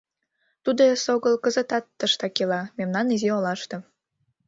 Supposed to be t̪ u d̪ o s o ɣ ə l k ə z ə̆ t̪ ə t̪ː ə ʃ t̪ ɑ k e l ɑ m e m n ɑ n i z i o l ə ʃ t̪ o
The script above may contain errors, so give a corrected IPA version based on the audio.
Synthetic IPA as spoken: t̪ u d̪ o s o ɣ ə l k ə z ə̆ t̪ ɑ t̪ː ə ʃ t̪ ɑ k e l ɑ m e m n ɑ n i z i o l ɑ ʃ t̪ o